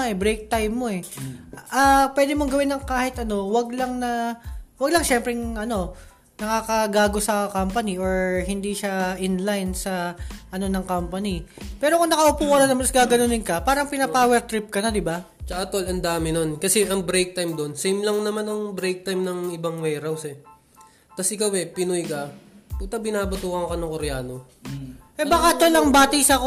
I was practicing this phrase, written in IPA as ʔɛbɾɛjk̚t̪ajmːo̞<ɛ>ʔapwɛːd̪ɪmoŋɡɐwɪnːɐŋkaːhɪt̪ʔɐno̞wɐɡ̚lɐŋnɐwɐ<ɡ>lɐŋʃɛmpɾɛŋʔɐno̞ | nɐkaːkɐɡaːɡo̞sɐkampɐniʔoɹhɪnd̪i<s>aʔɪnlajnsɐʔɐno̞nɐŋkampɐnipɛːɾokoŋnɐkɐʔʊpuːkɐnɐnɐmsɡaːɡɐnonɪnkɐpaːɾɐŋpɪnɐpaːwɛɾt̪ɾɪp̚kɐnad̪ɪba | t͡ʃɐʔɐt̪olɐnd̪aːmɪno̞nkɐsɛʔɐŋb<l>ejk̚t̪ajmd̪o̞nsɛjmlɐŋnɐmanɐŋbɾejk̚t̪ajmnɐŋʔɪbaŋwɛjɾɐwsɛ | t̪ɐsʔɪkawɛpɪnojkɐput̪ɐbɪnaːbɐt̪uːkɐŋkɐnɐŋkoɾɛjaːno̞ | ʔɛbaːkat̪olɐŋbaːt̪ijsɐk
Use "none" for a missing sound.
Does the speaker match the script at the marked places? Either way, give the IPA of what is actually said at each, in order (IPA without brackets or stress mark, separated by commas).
ɛ, ɡ, ʃ, ɾ